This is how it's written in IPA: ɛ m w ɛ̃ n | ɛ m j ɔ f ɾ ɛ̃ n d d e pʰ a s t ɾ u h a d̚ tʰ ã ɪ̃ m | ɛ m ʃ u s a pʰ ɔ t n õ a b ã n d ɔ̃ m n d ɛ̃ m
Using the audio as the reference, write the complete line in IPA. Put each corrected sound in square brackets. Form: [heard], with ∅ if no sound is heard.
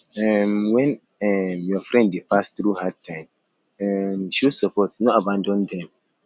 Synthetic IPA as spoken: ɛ m w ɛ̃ n | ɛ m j ɔ f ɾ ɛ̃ n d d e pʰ a s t ɾ u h a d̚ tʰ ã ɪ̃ m | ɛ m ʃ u s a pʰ ɔ t n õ a b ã n d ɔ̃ [∅] n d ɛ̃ m